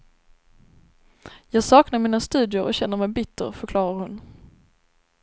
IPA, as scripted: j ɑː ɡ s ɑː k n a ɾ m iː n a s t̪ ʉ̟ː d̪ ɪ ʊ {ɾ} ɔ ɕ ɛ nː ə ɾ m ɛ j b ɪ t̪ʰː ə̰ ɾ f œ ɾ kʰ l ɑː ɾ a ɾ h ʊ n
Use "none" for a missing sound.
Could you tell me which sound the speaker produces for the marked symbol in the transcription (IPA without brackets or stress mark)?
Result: ɾ